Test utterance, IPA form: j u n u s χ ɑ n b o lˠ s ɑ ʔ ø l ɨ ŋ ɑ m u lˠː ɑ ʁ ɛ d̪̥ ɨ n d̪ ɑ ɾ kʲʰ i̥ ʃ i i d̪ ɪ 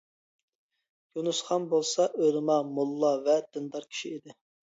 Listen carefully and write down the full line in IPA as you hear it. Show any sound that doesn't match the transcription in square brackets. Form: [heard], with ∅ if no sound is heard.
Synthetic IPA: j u n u s χ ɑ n b o lˠ s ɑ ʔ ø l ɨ [m] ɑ m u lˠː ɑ [v] ɛ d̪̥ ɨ n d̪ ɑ ɾ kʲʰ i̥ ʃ i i d̪ ɪ